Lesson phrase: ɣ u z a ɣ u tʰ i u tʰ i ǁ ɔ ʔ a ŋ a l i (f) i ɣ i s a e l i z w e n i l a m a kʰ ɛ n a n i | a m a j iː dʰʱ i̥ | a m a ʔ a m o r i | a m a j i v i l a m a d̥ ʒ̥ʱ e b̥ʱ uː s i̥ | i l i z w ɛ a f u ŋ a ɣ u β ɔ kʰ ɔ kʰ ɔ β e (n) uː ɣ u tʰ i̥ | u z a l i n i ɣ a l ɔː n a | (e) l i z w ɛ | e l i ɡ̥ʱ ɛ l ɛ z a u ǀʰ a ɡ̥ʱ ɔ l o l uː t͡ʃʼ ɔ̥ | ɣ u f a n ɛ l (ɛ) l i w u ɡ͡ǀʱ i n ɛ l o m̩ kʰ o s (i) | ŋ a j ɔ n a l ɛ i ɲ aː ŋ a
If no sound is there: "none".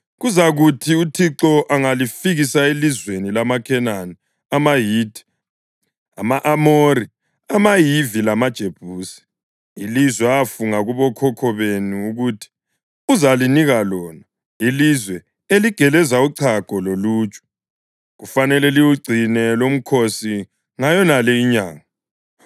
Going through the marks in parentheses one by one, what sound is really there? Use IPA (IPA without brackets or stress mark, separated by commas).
f, n, i, ɛ, i